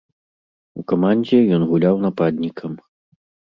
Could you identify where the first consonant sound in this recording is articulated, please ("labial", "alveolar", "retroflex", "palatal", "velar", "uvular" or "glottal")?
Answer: velar